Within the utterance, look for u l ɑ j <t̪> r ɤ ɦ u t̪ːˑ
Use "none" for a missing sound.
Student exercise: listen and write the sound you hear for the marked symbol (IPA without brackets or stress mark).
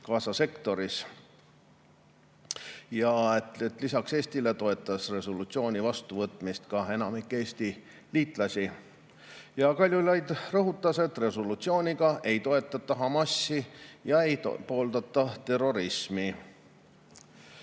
d̪